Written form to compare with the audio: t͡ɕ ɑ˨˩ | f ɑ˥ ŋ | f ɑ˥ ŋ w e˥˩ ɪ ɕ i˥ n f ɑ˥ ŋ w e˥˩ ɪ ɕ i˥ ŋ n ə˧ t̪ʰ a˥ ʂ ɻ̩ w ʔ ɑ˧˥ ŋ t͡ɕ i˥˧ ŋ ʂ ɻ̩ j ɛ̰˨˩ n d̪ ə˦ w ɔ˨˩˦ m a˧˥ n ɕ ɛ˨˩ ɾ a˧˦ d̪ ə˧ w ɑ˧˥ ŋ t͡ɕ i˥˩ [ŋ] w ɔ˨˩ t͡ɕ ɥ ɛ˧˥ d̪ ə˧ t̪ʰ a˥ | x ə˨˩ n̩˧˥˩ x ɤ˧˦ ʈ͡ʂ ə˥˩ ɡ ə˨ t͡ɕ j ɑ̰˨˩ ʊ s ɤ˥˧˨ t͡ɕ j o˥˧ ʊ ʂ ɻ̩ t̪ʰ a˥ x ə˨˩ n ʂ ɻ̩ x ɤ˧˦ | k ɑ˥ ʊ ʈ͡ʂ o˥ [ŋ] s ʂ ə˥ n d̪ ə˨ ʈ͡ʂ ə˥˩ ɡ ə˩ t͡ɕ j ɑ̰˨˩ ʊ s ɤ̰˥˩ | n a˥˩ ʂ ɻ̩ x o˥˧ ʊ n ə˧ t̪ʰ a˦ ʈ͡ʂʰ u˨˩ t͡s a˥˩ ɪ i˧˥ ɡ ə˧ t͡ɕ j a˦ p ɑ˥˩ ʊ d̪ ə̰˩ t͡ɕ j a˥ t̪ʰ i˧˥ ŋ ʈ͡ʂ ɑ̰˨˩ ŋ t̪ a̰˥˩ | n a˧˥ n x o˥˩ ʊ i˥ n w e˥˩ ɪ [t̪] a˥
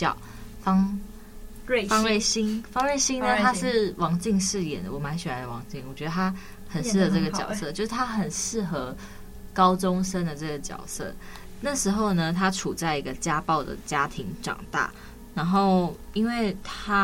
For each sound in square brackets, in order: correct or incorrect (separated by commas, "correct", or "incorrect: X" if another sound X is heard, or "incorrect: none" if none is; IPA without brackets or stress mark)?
correct, correct, incorrect: t̪ʰ